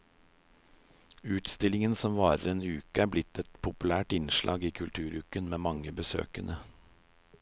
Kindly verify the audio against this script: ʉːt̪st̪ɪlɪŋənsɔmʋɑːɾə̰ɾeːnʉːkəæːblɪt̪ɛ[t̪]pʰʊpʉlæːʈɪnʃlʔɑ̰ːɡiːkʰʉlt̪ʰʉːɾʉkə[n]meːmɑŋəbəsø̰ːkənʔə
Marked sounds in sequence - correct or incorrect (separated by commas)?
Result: correct, correct